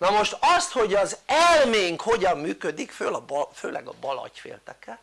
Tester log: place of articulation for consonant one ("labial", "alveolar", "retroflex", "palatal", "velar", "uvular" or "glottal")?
alveolar